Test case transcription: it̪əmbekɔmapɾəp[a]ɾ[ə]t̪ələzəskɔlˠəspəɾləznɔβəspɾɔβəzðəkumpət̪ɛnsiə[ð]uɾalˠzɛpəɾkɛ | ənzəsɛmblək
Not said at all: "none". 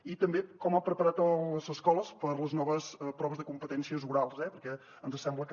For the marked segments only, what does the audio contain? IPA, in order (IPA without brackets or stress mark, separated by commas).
ə, a, z